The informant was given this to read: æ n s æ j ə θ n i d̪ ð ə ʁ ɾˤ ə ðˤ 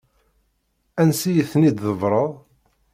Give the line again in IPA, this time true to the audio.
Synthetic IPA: æ n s i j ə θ n i d̪ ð ə v ɾˤ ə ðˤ

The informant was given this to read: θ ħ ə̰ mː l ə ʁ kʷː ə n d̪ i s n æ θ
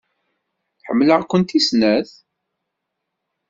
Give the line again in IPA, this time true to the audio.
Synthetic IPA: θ ħ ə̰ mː l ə ʁ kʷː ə n t̪ i s n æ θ

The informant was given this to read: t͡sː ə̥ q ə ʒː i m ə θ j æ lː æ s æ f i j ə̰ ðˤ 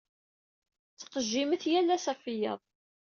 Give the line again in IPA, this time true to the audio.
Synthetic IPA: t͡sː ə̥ q ə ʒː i m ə θ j æ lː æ s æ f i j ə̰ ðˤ

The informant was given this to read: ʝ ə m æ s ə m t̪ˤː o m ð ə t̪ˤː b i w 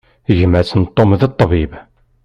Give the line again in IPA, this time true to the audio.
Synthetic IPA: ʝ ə m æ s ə n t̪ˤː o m ð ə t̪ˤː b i b

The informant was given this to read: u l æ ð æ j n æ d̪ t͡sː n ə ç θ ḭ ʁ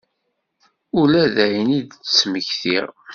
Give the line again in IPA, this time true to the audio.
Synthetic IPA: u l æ ð æ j n i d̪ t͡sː m ə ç θ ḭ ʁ

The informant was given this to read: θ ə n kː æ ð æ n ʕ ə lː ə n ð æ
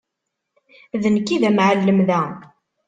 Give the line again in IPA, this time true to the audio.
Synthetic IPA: ð ə n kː i ð æ m ʕ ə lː ə m ð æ

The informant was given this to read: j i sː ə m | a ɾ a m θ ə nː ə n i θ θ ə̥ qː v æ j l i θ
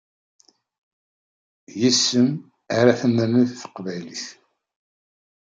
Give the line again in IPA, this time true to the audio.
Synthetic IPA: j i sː ə m | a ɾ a θ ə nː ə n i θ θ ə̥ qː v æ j l i θ

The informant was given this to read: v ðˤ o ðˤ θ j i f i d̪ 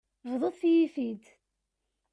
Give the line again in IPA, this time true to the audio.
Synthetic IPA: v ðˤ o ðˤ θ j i f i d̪

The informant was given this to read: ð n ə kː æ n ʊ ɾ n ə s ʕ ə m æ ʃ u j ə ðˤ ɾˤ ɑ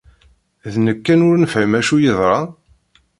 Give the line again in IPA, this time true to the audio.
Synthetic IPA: ð n ə kː æ n ʊ ɾ n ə f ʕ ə m æ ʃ u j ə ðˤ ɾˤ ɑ

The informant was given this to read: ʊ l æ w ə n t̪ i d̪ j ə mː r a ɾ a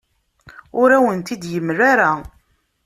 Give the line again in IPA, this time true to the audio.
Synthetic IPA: ʊ ɾ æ w ə n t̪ i d̪ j ə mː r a ɾ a

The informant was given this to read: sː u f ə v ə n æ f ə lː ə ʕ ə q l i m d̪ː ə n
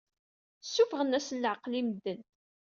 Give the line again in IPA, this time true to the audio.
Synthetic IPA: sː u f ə ʁ ə n æ s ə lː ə ʕ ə q l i m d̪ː ə n

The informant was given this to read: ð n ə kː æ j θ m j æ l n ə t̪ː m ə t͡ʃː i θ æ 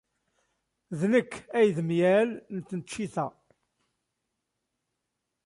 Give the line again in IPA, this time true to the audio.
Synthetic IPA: ð n ə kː æ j ð m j æ l n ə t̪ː n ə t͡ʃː i θ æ

